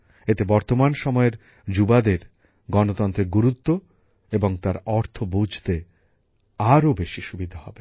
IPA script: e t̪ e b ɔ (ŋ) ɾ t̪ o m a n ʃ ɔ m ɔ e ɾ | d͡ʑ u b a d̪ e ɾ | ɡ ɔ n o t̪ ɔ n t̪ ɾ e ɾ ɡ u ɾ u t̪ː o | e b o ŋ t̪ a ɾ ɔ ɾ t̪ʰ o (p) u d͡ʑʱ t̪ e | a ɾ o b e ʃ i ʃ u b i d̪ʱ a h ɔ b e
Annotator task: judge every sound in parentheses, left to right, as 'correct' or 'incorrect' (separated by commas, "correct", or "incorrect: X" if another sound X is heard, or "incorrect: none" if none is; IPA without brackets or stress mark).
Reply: incorrect: none, incorrect: b